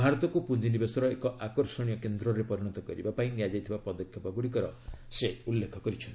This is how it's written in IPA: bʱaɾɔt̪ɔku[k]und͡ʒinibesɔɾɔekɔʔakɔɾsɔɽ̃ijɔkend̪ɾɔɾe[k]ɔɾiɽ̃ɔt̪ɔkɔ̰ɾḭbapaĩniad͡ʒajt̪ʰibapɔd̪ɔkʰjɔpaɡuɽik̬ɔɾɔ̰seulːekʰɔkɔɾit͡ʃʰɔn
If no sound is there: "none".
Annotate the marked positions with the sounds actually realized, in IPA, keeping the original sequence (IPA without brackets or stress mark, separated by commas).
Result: p, p